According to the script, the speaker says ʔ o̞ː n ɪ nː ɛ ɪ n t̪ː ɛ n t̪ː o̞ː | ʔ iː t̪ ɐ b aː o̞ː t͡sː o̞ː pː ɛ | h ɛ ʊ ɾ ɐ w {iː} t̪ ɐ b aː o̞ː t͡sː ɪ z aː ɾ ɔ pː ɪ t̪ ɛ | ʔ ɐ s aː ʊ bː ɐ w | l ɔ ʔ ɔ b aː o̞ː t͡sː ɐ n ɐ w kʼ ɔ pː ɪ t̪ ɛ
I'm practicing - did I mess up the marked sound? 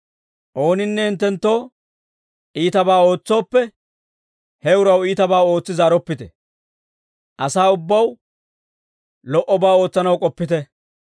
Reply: no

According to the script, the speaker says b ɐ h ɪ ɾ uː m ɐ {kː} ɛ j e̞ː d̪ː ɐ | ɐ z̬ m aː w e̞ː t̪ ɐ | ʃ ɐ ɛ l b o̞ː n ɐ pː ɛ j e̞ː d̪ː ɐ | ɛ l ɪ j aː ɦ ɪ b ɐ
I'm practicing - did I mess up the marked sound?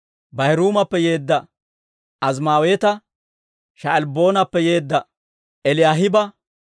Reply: yes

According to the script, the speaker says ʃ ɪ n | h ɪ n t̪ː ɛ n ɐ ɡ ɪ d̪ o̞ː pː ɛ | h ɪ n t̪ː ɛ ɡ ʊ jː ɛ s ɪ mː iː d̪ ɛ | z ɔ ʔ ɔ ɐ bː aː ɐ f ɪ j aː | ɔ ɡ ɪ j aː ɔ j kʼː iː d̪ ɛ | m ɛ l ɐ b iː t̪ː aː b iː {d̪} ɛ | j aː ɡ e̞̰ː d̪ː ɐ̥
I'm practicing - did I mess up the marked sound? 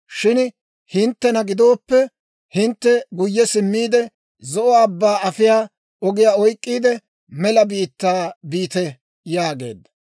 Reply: yes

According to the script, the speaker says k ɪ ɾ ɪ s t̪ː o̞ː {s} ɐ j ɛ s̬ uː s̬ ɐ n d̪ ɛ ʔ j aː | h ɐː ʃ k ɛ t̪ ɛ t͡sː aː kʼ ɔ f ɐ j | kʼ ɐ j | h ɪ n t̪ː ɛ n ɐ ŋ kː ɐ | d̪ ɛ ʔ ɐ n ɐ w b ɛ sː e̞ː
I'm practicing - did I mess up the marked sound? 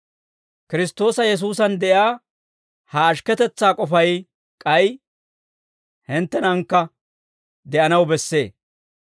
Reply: no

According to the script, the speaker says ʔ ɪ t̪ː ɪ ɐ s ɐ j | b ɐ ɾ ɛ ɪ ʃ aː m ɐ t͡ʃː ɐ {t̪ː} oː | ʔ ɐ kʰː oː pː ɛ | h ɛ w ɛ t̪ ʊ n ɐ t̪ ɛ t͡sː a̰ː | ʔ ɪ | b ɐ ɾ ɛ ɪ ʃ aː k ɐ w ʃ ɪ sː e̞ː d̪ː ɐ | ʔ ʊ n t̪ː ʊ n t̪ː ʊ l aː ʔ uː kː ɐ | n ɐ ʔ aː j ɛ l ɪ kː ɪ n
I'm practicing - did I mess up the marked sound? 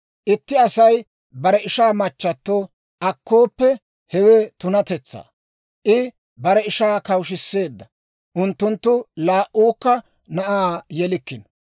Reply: no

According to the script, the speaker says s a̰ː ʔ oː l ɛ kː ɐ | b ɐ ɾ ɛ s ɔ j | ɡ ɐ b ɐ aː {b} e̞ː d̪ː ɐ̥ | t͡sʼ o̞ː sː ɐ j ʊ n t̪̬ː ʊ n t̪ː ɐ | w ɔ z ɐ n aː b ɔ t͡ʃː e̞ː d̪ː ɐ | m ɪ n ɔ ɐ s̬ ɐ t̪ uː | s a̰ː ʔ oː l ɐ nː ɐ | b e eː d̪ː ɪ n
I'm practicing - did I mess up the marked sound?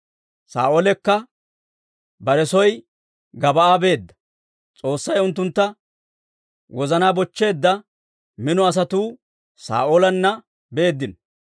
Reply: no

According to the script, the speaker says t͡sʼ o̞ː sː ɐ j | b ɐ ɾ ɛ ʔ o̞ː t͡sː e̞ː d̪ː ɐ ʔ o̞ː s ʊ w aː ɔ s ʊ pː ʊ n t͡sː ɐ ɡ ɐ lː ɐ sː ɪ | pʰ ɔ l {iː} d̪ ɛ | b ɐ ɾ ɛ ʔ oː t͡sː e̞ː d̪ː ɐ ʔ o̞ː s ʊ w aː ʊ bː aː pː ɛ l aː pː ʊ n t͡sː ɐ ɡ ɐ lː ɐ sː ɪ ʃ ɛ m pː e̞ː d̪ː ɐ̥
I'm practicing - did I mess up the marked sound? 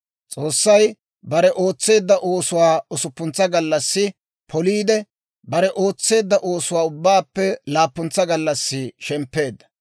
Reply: no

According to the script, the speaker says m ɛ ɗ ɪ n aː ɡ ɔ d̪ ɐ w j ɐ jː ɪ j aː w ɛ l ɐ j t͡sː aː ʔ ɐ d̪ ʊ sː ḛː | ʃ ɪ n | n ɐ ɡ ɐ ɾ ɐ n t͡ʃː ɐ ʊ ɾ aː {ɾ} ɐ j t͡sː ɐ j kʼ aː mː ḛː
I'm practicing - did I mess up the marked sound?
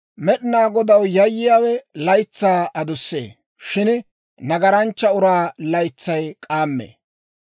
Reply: yes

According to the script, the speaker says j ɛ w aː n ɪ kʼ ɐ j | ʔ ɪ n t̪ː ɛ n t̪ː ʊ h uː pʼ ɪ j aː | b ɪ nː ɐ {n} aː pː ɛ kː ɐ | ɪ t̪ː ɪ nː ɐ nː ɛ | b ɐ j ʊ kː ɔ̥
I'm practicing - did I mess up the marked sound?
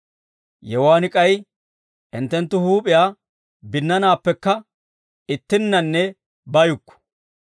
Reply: no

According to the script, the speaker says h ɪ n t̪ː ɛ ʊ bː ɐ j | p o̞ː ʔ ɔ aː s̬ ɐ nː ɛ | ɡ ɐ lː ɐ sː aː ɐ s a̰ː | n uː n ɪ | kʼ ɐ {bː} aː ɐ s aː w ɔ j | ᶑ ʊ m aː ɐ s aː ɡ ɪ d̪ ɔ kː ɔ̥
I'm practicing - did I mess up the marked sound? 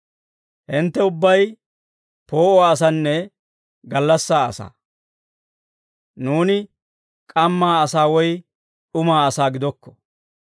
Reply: yes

